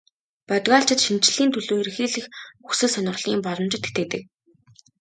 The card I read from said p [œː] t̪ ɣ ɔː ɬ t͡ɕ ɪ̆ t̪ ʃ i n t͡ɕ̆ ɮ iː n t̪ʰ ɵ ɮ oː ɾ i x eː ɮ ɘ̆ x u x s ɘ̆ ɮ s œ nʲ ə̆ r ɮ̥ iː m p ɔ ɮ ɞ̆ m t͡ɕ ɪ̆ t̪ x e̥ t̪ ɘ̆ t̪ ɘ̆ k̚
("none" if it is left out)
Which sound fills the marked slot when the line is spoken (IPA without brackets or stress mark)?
œ